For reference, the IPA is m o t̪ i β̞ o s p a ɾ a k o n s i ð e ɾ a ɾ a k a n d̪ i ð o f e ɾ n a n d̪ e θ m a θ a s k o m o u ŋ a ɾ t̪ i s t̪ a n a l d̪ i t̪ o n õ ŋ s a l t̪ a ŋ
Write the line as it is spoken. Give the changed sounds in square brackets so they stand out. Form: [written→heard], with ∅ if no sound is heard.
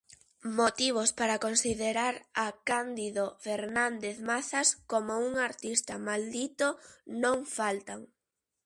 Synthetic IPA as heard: m o t̪ i β̞ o s p a ɾ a k o n s i ð e ɾ a ɾ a k a n d̪ i ð o f e ɾ n a n d̪ e θ m a θ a s k o m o u ŋ a ɾ t̪ i s t̪ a [n→m] a l d̪ i t̪ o n õ ŋ [s→f] a l t̪ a ŋ